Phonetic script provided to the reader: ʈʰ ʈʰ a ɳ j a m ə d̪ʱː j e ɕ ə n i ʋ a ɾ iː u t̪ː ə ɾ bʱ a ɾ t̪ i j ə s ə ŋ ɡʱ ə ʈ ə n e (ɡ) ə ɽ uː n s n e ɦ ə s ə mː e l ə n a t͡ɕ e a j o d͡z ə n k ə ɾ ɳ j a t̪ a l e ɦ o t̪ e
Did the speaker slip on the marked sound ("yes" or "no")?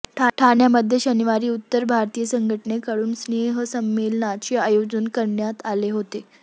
yes